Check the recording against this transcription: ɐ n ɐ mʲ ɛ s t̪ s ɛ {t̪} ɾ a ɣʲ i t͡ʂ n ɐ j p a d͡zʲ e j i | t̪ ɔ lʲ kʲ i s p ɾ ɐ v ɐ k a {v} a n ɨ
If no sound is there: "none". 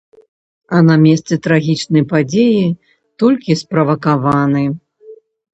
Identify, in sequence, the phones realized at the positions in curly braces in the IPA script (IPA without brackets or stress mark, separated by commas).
t̪, v